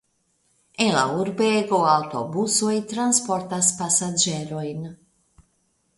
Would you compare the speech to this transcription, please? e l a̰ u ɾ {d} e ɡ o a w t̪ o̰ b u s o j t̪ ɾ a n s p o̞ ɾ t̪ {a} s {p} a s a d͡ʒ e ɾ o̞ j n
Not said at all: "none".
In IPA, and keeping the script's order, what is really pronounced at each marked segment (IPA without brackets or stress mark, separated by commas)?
b, a, p